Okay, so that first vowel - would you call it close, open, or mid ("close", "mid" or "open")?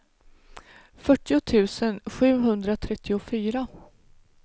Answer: mid